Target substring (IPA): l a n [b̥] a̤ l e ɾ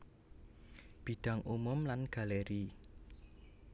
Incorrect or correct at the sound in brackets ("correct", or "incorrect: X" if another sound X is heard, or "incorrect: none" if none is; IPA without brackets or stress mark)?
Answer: incorrect: ɡ̥